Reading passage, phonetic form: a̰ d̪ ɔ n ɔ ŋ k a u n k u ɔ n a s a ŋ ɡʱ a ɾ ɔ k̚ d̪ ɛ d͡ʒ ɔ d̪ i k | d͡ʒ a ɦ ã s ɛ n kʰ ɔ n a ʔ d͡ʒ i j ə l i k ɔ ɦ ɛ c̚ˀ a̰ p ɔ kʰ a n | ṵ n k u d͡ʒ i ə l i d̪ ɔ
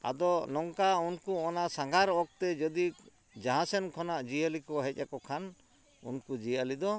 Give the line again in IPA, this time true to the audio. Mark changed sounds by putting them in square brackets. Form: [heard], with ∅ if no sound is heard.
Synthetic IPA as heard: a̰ d̪ ɔ n ɔ ŋ k a u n k u ɔ n a s a ŋ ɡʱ a ɾ ɔ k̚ [t̪] ɛ d͡ʒ ɔ d̪ i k | d͡ʒ a ɦ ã s ɛ n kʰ ɔ n a ʔ d͡ʒ i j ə l i k ɔ ɦ ɛ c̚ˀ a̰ [k] ɔ kʰ a n | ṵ n k u d͡ʒ i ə l i d̪ ɔ